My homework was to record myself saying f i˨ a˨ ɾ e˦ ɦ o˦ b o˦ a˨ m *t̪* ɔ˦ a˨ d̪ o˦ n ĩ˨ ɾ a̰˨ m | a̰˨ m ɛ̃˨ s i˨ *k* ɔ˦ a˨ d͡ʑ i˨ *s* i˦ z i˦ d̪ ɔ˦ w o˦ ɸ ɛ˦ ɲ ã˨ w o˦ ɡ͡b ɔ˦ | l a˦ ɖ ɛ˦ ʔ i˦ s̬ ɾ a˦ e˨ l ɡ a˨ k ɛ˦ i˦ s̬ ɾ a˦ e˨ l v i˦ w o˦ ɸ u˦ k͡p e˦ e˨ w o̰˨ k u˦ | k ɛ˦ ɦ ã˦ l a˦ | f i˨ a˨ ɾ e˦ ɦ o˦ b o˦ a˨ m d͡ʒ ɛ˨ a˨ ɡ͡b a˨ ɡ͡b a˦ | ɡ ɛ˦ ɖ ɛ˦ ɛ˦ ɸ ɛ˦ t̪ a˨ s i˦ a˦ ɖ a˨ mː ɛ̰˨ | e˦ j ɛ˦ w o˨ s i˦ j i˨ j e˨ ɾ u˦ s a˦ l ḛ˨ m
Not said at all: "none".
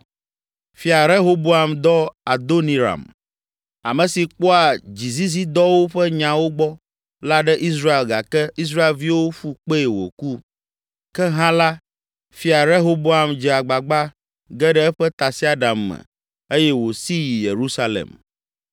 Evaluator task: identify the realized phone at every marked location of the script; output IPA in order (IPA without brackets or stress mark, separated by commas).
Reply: d̪, k͡p, z